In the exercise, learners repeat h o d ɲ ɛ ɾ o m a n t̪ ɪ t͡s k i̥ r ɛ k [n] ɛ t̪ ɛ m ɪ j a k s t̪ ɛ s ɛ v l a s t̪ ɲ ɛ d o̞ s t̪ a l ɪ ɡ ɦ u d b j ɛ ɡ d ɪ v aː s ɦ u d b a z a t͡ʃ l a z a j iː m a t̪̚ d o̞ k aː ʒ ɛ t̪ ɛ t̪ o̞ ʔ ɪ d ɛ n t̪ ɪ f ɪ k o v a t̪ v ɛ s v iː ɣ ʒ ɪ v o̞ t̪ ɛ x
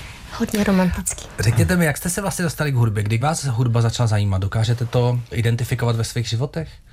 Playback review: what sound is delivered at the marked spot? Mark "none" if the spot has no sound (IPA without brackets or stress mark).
ɲ